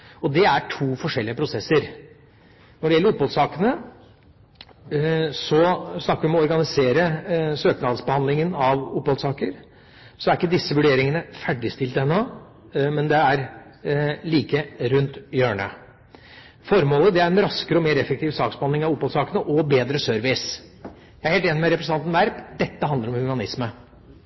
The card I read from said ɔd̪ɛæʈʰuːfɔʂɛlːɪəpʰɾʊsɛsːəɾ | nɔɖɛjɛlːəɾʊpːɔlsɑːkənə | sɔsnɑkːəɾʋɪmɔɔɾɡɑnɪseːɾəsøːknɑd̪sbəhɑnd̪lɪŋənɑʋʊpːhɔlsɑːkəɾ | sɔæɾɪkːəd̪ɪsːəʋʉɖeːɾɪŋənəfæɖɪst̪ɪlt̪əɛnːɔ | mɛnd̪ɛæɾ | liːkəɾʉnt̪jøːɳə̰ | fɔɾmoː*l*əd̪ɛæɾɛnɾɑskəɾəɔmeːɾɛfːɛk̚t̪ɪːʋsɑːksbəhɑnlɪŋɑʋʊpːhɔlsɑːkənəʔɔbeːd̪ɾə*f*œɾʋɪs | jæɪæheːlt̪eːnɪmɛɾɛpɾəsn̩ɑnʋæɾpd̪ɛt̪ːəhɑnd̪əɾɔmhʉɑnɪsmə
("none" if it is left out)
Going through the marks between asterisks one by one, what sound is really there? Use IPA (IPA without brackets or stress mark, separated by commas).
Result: l, s